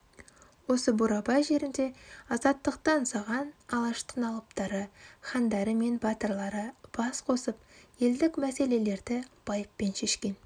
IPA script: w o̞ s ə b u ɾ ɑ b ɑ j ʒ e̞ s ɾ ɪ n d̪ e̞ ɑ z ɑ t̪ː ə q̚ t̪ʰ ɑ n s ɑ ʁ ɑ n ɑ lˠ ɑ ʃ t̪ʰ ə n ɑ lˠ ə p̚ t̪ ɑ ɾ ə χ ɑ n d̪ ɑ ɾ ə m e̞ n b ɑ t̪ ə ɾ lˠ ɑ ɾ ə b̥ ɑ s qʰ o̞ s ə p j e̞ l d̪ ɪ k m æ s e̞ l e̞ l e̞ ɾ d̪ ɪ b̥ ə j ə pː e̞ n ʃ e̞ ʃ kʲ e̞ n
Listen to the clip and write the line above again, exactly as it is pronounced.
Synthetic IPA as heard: w o̞ s ə b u ɾ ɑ b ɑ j ʒ e̞ ɾ ɪ n d̪ e̞ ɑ z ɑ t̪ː ə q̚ t̪ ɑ n s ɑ ʁ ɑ n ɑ lˠ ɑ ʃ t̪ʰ ə n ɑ lˠ ə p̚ t̪ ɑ ɾ ə χ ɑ n d̪ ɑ ɾ ə m e̞ n b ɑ t̪ ə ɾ lˠ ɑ ɾ ə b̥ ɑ s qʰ o̞ s ə p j e̞ l d̪ ɪ k m æ s e̞ l e̞ l e̞ ɾ d̪ ɪ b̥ ɑ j ə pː e̞ n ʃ e̞ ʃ kʲ e̞ n